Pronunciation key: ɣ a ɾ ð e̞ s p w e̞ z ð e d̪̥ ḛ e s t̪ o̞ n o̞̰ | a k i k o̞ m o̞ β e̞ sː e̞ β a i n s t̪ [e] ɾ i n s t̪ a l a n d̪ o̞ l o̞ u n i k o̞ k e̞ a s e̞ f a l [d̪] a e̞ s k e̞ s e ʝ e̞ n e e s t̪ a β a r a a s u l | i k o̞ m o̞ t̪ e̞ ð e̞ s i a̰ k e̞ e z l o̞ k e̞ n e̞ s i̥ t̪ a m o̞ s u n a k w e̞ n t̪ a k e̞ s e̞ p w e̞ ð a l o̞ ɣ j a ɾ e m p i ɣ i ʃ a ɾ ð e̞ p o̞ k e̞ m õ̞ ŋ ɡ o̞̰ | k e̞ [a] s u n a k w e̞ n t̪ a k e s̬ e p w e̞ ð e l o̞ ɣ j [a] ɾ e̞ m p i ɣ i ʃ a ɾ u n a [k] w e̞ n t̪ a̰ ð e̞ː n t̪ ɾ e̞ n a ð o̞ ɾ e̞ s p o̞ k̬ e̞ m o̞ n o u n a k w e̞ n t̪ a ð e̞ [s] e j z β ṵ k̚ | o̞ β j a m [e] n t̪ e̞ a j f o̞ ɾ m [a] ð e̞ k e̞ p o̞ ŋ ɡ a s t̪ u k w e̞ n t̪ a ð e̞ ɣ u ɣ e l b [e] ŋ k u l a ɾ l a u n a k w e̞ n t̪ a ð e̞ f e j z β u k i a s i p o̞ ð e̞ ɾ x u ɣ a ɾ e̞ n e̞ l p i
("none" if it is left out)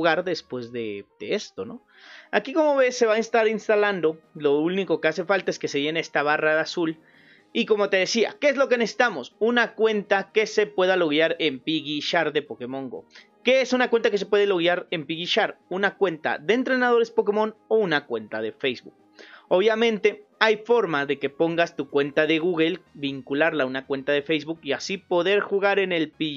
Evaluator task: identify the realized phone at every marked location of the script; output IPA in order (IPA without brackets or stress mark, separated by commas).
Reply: a, t̪, e, a, k, f, ẽ, a, i